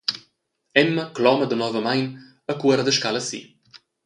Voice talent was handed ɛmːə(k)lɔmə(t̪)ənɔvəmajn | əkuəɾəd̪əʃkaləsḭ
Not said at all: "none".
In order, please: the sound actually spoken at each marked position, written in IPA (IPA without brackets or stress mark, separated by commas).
k, d̪